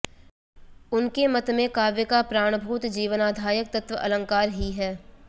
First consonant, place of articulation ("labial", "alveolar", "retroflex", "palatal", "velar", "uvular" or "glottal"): alveolar